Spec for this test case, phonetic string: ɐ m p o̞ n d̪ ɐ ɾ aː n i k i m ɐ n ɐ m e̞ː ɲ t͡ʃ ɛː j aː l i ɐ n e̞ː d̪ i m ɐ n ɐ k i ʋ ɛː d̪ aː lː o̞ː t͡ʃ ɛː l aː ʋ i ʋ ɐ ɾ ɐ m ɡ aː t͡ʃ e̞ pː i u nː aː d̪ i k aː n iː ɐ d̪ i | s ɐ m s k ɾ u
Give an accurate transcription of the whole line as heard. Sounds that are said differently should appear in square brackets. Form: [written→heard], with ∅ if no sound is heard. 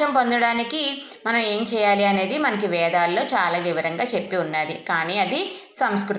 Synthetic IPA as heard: ɐ m p o̞ n d̪ ɐ [ɾ→ɽ] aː n i k i m ɐ n ɐ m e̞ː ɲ t͡ʃ ɛː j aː l i ɐ n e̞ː d̪ i m ɐ n ɐ k i ʋ ɛː d̪ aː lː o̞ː t͡ʃ [ɛː→aː] l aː ʋ i ʋ ɐ ɾ ɐ [m→ŋ] ɡ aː t͡ʃ e̞ pː i u nː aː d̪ i k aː n iː ɐ d̪ i | s ɐ m s k ɾ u